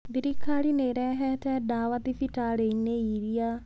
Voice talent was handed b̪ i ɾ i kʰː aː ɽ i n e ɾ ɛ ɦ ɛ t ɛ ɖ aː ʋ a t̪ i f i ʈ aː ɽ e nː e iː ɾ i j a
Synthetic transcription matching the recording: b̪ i ɾ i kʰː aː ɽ i n e ɾ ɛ ɦ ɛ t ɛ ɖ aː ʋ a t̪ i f i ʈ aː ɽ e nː e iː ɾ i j a